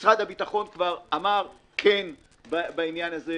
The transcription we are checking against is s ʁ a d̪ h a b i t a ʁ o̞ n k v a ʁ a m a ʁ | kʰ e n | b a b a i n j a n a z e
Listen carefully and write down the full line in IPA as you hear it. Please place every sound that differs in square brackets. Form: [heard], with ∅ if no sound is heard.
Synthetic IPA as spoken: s ʁ a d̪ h a b i t a [χ] o̞ n k v a ʁ a m a ʁ | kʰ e n | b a b a i n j a n a z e